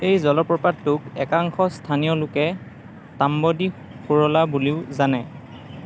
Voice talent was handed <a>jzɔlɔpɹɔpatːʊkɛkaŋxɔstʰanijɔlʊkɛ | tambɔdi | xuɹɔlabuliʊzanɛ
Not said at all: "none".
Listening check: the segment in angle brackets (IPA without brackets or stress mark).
e